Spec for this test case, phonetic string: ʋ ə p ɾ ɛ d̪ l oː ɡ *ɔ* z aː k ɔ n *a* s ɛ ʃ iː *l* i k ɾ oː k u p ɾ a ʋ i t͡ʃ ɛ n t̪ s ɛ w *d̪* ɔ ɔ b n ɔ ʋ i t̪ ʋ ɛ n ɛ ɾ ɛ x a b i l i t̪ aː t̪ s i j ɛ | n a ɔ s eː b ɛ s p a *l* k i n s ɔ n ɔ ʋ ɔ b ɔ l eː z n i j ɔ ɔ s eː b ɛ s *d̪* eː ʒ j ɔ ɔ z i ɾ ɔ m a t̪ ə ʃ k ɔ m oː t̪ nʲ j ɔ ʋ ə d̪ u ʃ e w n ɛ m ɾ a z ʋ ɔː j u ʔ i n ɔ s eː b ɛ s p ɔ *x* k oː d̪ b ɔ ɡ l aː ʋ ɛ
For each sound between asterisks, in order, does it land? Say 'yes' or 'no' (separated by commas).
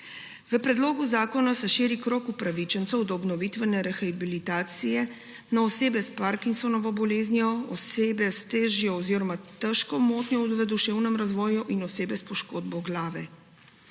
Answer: no, yes, no, yes, no, no, no